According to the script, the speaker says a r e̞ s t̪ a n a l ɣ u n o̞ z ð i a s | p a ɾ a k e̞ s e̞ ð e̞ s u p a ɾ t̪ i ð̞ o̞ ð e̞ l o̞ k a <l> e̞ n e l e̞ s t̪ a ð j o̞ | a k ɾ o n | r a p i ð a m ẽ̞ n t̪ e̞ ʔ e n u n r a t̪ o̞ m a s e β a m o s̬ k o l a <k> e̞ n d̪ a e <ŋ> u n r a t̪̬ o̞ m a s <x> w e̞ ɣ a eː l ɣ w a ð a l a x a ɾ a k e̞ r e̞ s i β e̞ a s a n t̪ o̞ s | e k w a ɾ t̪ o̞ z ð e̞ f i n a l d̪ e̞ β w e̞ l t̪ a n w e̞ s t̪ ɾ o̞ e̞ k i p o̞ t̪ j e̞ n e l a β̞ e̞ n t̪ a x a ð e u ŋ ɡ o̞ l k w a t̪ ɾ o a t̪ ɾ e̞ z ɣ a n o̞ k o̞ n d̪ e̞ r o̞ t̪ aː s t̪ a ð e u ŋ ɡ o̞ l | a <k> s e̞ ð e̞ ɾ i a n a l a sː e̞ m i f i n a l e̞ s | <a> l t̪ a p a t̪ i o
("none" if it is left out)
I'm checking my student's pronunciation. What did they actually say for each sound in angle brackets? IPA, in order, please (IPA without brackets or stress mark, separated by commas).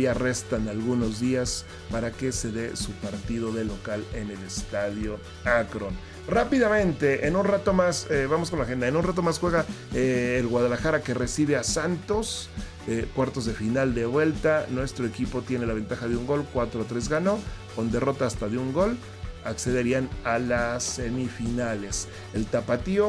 l, x, n, x, k, e